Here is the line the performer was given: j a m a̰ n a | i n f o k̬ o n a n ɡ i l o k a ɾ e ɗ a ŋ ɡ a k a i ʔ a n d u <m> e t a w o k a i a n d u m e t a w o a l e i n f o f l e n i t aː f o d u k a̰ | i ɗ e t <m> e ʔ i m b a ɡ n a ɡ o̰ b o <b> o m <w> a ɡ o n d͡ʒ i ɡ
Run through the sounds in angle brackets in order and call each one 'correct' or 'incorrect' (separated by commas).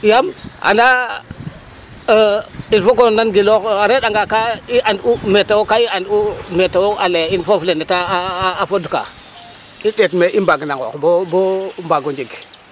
correct, correct, correct, incorrect